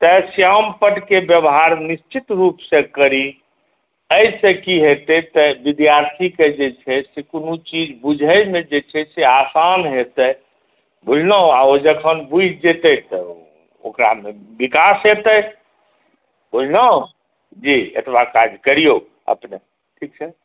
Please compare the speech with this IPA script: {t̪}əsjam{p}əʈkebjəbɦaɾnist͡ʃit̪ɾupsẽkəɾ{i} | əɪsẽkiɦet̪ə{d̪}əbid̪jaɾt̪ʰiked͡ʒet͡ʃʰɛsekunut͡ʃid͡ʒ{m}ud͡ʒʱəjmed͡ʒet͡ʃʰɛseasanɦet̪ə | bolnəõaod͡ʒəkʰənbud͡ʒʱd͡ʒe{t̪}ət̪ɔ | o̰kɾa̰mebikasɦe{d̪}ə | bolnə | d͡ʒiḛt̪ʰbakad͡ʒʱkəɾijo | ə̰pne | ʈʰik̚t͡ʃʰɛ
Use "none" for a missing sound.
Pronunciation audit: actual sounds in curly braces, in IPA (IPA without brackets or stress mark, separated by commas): t̪, p, i, t̪, b, t̪, t̪